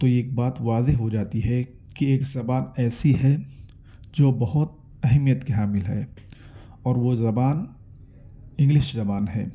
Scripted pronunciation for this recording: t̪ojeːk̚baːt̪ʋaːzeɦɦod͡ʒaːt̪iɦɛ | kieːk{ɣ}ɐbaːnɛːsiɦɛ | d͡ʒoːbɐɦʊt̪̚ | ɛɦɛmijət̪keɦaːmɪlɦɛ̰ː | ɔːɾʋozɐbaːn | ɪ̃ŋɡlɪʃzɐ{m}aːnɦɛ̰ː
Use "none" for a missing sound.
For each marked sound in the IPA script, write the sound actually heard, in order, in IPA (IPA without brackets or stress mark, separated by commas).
z, b